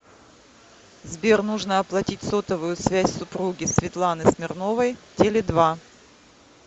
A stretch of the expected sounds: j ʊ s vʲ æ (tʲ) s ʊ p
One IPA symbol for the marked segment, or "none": sʲ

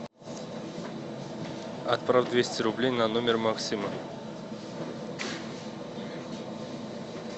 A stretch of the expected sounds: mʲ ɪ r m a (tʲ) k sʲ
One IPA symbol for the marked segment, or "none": none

